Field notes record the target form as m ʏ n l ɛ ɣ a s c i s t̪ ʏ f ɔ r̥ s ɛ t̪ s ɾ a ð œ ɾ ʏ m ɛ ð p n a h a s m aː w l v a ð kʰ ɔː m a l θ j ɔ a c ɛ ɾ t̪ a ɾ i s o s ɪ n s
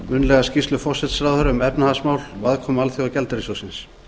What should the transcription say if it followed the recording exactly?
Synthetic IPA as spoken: m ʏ n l ɛ ɣ a s c i s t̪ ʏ f ɔ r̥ s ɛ t̪ s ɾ a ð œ ɾ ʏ m ɛ p n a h a s m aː w l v a ð kʰ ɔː m a l θ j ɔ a c ɛ l t̪ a ɾ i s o s ɪ n s